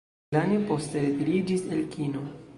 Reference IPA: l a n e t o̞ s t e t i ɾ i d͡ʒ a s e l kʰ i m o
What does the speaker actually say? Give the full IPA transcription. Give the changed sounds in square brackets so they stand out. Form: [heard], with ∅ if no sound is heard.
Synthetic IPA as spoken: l a n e [p] o̞ s t e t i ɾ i d͡ʒ [i] s e l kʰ i [n] o